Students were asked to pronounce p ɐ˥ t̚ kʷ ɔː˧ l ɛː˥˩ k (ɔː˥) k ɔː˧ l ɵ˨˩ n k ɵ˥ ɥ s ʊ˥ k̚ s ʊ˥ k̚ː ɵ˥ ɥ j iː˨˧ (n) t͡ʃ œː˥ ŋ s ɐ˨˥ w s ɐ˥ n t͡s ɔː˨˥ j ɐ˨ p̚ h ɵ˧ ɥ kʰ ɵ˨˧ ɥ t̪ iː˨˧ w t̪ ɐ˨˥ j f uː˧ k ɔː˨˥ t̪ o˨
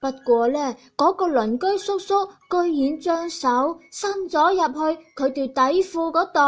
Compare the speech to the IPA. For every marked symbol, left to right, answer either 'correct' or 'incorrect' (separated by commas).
incorrect, correct